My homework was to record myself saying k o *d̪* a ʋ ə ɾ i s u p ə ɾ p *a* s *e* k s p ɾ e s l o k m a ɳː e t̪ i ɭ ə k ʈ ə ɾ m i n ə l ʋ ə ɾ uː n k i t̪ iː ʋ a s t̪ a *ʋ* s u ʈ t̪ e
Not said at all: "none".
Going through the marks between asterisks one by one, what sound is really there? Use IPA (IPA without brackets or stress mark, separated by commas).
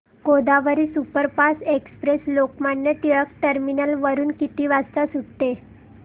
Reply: d̪, a, e, none